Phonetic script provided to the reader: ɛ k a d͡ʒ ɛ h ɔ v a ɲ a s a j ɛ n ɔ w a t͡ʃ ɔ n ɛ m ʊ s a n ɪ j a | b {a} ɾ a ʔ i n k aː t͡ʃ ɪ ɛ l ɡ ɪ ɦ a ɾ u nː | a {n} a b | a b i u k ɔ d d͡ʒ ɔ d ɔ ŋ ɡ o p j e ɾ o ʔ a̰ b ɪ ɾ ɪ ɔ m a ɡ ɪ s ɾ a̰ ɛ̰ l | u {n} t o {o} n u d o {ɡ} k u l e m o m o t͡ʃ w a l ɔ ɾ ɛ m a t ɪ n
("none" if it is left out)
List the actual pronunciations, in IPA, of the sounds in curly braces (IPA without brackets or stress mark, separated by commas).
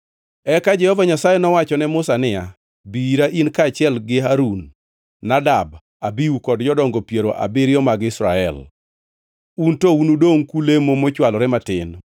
i, d, n, u, ŋ